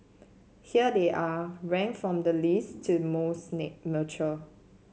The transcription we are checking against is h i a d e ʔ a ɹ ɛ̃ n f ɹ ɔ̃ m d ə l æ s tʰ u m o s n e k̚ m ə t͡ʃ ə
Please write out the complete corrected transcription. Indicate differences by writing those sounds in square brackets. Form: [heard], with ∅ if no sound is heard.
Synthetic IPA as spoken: h i [ə] d e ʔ a ɹ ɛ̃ [ŋ] f ɹ ɔ̃ m d ə l [i] s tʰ u m o s n e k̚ m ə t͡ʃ ə